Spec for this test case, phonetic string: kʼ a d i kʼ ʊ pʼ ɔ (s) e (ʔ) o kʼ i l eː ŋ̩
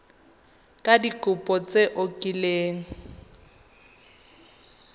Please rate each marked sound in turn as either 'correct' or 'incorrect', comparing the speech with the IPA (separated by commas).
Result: incorrect, correct